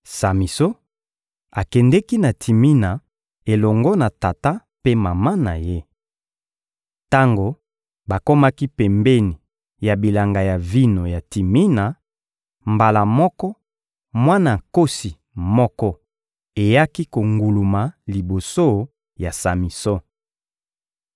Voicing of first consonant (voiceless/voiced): voiceless